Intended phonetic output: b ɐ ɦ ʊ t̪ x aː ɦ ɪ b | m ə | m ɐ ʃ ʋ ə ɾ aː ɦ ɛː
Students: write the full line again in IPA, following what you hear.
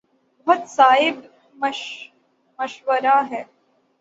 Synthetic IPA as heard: b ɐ ɦ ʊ t̪ s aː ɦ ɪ b | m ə | m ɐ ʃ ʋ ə ɾ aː ɦ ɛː

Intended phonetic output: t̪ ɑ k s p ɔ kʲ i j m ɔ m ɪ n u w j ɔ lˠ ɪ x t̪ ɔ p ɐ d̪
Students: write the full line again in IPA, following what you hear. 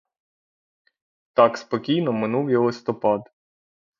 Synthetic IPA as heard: t̪ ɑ k s p ɔ kʲ i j n ɔ m ɪ n u w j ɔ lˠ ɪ s t̪ ɔ p ɑ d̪

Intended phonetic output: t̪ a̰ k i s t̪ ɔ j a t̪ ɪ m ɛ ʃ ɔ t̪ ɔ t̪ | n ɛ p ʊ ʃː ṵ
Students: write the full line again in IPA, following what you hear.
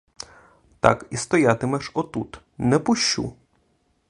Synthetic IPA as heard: t̪ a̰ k i s t̪ ɔ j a t̪ ɪ m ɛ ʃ ɔ t̪ u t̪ | n ɛ p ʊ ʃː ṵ

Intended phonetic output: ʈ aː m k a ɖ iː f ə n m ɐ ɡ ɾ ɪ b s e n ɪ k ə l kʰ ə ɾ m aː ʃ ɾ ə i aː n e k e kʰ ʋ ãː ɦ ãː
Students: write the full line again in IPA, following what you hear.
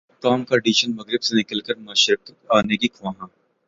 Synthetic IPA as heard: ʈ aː m k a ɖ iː ʃ ə n m ɐ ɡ ɾ ɪ b s e n ɪ k ə l k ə ɾ m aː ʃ ɾ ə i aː n e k i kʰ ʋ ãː ɦ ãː

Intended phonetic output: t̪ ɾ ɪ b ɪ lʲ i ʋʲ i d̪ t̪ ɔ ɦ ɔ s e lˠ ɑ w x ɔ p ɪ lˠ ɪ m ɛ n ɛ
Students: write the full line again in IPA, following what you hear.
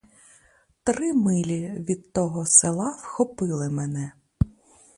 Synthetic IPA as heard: t̪ ɾ ɪ m ɪ lʲ i ʋʲ i d̪ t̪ ɔ ɦ ɔ s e lˠ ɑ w x ɔ p ɪ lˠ ɪ m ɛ n ɛ

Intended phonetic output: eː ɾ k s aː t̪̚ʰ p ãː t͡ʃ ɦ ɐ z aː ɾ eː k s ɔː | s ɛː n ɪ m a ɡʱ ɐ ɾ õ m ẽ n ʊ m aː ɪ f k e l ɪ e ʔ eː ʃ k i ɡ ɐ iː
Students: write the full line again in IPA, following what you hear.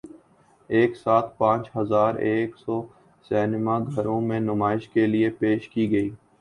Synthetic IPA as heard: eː k s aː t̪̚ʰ p ãː t͡ʃ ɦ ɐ z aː ɾ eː k s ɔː | s ɛː n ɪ m a ɡʱ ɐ ɾ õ m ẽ n ʊ m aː ɪ ʃ k e l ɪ e p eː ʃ k i ɡ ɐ iː

